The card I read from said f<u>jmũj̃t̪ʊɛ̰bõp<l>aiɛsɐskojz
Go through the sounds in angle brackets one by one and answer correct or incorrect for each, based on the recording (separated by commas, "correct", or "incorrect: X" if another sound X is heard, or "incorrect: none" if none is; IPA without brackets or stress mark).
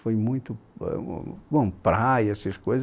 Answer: incorrect: o, incorrect: ɾ